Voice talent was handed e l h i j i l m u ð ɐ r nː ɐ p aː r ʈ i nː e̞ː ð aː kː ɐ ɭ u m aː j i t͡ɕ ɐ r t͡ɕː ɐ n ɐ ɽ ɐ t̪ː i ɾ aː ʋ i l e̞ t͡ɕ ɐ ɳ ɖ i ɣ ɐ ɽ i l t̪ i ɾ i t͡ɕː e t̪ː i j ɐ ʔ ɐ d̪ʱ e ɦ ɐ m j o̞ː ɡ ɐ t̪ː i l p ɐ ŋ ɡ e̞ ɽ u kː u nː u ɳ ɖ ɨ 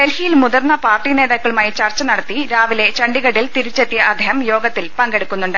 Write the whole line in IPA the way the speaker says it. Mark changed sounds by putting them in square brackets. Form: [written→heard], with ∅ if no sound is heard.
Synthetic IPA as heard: e l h i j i l m u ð ɐ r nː ɐ p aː r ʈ i [nː→n] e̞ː ð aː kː ɐ ɭ u m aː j i t͡ɕ ɐ r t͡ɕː ɐ n ɐ ɽ ɐ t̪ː i ɾ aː ʋ i l e̞ t͡ɕ ɐ ɳ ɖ i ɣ ɐ ɽ i l t̪ i ɾ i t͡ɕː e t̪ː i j ɐ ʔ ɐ d̪ʱ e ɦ ɐ m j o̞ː ɡ ɐ t̪ː i l p ɐ ŋ ɡ e̞ ɽ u kː u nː u ɳ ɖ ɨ